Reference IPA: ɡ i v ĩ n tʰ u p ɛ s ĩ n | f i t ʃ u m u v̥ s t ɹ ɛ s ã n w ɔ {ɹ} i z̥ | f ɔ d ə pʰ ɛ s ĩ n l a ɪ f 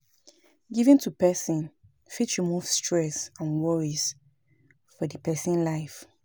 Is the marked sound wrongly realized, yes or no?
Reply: no